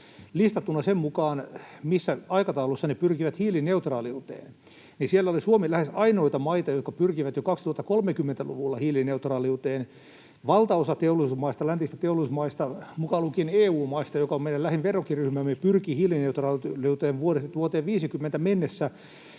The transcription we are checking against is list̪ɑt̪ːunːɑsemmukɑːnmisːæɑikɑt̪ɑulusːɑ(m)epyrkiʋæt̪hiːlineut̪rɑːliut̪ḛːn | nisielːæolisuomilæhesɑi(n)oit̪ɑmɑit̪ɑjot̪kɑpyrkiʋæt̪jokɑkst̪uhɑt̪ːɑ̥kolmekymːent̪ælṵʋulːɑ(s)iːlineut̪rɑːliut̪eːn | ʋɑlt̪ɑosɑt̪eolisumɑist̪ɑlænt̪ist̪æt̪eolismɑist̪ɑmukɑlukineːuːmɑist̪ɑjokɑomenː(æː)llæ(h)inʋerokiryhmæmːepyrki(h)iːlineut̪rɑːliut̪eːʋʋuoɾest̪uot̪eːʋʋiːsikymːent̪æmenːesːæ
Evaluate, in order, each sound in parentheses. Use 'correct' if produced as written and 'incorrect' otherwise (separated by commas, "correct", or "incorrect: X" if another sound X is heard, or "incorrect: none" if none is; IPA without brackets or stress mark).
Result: incorrect: n, correct, incorrect: h, incorrect: æ, correct, correct